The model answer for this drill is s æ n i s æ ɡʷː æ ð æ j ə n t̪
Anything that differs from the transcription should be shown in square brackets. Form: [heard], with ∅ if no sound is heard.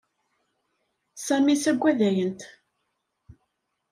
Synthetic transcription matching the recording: s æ [m] i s æ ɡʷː æ ð æ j ə n t̪